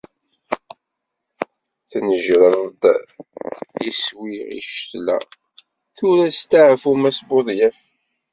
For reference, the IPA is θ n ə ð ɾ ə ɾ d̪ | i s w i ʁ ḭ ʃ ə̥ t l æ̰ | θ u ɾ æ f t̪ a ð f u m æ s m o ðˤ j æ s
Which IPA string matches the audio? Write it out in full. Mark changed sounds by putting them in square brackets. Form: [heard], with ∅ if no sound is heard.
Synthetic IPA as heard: θ n ə [ʒ] ɾ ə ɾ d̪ | i s w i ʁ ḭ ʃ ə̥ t l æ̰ | θ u ɾ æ [s] t̪ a [ʕ] f u m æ s [b] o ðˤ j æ [f]